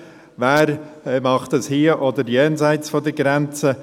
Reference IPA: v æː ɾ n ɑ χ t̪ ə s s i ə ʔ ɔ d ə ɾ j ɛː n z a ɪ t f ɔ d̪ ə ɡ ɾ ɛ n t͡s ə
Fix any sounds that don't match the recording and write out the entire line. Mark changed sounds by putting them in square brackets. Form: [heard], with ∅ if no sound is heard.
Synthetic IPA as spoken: v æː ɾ [m] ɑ χ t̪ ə s [h] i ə ʔ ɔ d ə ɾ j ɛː n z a ɪ [t͡s] f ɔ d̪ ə ɡ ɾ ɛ n t͡s ə